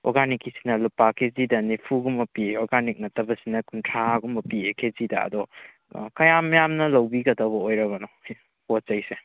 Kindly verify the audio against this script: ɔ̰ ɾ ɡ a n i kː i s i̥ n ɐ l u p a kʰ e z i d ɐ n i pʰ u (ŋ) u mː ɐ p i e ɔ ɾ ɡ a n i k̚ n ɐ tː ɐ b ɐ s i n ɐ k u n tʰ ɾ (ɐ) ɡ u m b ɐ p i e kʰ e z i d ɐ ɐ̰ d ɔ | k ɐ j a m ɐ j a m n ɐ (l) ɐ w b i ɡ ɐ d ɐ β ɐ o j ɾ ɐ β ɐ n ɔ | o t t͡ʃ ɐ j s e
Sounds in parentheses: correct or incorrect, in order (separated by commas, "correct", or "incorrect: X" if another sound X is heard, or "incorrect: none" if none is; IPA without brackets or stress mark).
incorrect: ɡ, incorrect: a, correct